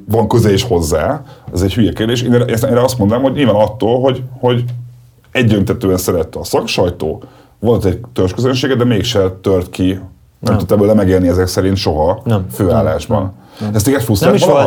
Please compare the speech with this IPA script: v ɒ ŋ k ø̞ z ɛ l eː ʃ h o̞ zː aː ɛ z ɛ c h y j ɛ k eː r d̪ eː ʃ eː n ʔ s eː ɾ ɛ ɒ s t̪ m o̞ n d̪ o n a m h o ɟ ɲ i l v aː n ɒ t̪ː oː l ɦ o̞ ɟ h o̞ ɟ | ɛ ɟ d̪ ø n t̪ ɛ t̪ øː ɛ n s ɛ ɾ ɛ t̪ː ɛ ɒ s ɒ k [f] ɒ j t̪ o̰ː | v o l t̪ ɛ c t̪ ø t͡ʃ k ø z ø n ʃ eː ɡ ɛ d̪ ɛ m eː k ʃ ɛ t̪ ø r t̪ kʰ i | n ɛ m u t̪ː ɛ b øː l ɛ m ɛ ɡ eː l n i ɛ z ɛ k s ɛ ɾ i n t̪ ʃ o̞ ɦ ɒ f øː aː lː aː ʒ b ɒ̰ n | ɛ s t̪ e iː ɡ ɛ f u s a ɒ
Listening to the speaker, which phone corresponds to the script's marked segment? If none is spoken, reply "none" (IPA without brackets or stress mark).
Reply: ʃ